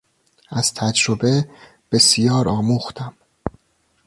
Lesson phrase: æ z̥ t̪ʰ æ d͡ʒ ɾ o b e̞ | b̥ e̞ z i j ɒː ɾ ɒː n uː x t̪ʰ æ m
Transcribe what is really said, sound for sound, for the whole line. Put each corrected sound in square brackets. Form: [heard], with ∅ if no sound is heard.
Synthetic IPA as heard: æ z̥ t̪ʰ æ d͡ʒ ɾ o b e̞ | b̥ e̞ [s] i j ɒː ɾ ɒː [m] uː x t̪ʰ æ m